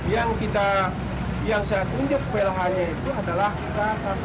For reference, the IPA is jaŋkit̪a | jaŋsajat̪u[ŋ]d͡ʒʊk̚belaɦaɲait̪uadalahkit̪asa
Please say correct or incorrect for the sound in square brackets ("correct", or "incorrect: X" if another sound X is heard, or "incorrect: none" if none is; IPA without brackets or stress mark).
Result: incorrect: ɲ